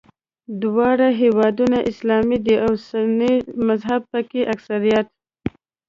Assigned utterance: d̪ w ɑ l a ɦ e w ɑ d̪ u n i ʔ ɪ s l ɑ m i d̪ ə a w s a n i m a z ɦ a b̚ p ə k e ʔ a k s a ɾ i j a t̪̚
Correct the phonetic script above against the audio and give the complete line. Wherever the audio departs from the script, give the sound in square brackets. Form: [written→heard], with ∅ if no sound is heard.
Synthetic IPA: d̪ w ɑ [l→ɽ] a ɦ e w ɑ d̪ u n [i→a] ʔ ɪ s l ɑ m i d̪ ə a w s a n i m a z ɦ a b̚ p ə k e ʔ a k s a ɾ i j a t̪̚

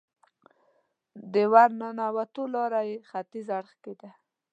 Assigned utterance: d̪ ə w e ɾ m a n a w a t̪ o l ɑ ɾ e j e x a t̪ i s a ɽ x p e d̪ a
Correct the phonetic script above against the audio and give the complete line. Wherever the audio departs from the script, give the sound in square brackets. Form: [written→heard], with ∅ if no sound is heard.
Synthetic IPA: d̪ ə w [e→a] ɾ [m→n] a n a w a t̪ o l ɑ ɾ [e→a] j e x a t̪ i [s→z] a ɽ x [p→k] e d̪ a

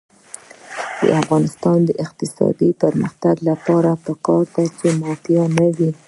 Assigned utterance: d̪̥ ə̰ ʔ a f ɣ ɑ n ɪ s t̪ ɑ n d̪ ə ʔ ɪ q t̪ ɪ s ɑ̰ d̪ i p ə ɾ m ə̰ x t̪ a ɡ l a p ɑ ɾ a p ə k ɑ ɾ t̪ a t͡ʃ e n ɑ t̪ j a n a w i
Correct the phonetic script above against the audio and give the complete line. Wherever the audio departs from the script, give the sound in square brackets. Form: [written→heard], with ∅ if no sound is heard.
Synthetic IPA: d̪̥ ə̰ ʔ a f ɣ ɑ n ɪ s t̪ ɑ n d̪ ə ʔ ɪ q t̪ ɪ s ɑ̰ d̪ i p ə ɾ m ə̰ x t̪ a ɡ l a p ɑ ɾ a p ə k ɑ ɾ t̪ a t͡ʃ e [n→m] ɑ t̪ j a n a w i

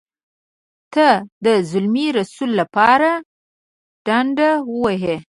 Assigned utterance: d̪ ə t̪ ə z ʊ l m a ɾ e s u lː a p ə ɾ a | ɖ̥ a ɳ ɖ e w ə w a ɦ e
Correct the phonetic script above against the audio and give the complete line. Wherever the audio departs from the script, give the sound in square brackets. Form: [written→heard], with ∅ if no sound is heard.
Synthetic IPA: [d̪→t̪] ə [t̪→d̪] ə z ʊ l m [a→i] ɾ [e→a] s u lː a p [ə→ɑ] ɾ a | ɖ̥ a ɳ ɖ [e→a] w ə w a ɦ e

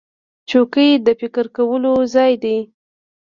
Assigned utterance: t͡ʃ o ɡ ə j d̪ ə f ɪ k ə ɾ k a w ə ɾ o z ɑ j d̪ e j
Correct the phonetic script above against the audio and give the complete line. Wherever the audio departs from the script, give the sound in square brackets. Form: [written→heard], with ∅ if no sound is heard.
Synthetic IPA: t͡ʃ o [ɡ→k] ə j d̪ ə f ɪ k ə ɾ k a w ə [ɾ→l] o z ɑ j d̪ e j

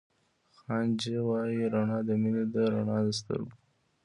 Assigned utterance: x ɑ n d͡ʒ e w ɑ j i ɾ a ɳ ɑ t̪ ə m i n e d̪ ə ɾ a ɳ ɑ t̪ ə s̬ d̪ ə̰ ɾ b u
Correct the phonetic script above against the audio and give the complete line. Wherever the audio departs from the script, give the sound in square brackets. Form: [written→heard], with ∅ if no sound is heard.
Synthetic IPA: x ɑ n d͡ʒ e w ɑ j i ɾ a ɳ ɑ [t̪→d̪] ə m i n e d̪ ə ɾ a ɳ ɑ [t̪→d̪] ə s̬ [d̪→t̪] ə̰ ɾ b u

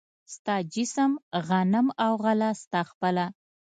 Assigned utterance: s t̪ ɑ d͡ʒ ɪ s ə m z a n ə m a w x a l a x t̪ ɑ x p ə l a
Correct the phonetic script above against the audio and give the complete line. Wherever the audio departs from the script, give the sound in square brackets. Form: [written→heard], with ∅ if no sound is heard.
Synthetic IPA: s t̪ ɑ d͡ʒ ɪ s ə m [z→ɣ] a n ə m a w [x→ɣ] a l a [x→s] t̪ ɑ x p ə l a

